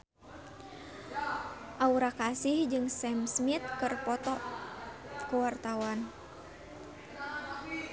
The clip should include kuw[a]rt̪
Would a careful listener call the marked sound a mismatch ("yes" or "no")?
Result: no